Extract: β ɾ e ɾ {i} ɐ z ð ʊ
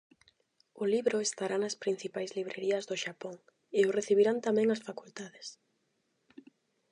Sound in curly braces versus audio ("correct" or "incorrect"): correct